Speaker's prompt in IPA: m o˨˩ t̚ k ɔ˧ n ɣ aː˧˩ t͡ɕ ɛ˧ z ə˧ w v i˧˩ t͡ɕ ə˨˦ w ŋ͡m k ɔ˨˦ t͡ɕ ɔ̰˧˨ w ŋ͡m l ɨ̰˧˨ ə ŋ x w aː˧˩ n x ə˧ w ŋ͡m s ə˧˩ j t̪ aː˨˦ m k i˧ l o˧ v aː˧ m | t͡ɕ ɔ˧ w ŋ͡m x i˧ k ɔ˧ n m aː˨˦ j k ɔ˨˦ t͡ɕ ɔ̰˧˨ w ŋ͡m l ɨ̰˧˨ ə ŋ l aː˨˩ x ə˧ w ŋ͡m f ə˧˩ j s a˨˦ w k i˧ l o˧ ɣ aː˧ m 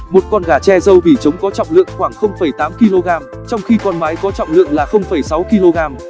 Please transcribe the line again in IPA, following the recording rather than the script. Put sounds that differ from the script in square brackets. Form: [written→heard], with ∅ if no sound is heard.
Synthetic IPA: m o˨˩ t̚ k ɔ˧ n ɣ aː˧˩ t͡ɕ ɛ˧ z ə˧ w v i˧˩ t͡ɕ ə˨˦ w ŋ͡m k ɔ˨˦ t͡ɕ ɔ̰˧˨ w ŋ͡m l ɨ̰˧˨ ə ŋ x w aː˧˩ [n→ŋ] x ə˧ w ŋ͡m [s→f] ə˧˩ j t̪ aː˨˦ m k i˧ l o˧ [v→ɣ] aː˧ m | t͡ɕ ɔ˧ w ŋ͡m x i˧ k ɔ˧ n m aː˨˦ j k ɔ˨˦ t͡ɕ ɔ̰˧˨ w ŋ͡m l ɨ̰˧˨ ə ŋ l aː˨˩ x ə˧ w ŋ͡m f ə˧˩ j s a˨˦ w k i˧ l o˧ ɣ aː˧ m